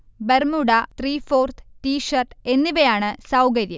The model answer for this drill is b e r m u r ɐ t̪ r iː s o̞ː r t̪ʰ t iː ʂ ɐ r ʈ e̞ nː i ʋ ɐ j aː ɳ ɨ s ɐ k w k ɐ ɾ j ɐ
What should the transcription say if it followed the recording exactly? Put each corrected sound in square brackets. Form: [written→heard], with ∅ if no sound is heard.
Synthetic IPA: b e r m u [r→ɽ] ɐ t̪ r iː [s→f] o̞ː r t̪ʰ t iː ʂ ɐ r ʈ e̞ nː i ʋ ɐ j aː ɳ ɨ s ɐ [k→∅] w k ɐ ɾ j ɐ